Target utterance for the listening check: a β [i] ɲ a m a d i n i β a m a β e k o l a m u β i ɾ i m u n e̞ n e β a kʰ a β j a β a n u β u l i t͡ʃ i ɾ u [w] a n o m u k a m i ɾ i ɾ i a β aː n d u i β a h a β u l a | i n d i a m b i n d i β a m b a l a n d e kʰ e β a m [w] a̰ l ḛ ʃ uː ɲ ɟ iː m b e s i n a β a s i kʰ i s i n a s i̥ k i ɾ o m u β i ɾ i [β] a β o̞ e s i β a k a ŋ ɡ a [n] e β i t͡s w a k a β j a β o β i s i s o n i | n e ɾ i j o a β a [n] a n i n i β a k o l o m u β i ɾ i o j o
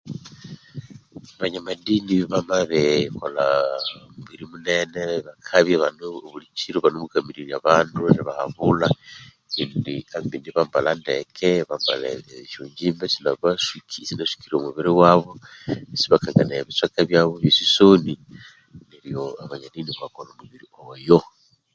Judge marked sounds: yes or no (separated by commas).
no, no, no, no, yes, no